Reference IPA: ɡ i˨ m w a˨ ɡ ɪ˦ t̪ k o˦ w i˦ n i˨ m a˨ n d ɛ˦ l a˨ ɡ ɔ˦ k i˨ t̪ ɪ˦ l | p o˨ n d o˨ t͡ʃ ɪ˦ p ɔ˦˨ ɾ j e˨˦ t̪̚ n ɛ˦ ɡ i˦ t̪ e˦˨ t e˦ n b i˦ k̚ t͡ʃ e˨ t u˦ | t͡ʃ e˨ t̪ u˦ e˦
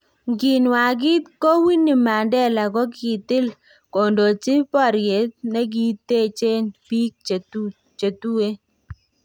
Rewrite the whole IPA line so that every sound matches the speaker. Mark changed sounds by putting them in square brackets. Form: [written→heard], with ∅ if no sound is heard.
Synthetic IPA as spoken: ɡ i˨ [m→n] w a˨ ɡ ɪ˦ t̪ k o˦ w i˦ n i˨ m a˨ n d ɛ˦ l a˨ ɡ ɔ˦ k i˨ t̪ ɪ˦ l | [p→k] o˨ n d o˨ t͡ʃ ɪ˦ p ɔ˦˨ ɾ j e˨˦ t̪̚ n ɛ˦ ɡ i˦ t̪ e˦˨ [t→t͡ʃ] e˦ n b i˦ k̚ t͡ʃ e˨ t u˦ | t͡ʃ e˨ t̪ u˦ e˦